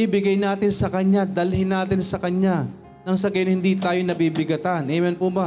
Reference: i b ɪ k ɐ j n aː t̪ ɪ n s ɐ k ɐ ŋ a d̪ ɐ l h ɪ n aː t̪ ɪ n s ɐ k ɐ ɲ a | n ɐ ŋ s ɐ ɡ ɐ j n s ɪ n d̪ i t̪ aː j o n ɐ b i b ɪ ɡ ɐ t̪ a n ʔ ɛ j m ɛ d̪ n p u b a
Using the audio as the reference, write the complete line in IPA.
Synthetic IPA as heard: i b ɪ ɡ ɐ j n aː t̪ ɪ n s ɐ k ɐ ɲ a d̪ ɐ l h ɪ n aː t̪ ɪ n s ɐ k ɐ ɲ a | n ɐ ŋ s ɐ ɡ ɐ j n h ɪ n d̪ i t̪ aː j o n ɐ b i b ɪ ɡ ɐ t̪ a n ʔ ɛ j m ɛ n p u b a